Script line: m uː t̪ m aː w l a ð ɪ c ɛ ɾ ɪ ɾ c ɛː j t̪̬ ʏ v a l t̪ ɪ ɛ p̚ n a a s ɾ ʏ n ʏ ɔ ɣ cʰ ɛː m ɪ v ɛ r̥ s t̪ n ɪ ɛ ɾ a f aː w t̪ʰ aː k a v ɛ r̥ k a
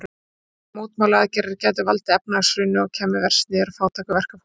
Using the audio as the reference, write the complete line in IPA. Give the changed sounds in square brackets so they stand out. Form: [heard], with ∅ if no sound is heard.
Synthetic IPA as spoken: m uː t̪ m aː w l a ð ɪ c ɛ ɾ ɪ ɾ c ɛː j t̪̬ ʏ v a l t̪ ɪ ɛ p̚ n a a s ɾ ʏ n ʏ ɔ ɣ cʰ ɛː m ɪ v ɛ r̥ s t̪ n ɪ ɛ ɾ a f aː w t̪ʰ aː k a v ɛ r̥ k a